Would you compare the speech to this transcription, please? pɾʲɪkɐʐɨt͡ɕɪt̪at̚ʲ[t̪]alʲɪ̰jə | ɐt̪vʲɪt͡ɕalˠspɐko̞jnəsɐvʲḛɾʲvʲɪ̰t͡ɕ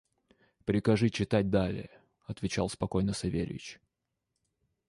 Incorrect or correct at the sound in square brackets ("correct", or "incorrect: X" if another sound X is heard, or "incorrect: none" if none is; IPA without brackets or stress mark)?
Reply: incorrect: d̪